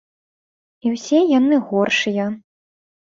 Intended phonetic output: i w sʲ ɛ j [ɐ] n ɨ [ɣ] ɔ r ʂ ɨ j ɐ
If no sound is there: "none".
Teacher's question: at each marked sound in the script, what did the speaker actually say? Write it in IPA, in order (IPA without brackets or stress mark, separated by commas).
a, ɣ